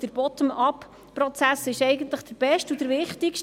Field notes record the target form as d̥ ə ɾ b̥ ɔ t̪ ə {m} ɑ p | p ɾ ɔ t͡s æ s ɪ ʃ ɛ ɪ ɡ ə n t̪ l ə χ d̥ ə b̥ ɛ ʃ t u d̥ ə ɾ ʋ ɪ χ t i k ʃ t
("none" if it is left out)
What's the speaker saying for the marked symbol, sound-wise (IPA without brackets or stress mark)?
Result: m